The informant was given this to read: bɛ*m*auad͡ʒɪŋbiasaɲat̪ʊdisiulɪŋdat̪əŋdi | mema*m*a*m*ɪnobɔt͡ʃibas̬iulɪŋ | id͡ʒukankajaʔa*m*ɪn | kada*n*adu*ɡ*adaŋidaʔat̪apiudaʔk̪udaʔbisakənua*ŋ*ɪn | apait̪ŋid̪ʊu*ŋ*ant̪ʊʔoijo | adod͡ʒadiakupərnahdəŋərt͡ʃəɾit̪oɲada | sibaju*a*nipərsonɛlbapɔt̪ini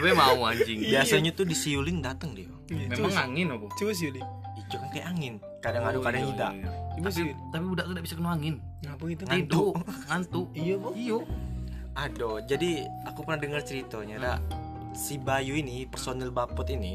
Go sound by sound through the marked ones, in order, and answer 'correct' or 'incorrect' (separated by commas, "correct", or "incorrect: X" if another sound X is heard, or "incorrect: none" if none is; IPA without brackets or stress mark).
correct, incorrect: ŋ, incorrect: ŋ, incorrect: ŋ, incorrect: ŋ, incorrect: k, correct, correct, incorrect: i